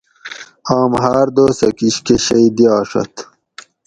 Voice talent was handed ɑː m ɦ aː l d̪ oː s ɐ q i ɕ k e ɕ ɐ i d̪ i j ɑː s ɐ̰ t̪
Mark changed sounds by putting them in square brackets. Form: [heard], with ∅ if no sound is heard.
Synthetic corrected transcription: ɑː m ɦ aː [ɾ] d̪ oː s ɐ [k] i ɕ k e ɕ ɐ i d̪ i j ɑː [ʂ] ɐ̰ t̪